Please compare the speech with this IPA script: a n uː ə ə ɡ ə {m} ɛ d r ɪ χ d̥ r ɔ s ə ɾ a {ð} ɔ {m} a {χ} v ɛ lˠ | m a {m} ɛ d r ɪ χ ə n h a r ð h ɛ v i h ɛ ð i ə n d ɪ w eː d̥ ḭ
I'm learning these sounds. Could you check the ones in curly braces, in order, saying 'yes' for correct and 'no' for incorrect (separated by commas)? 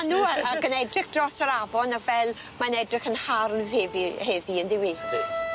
no, no, no, no, no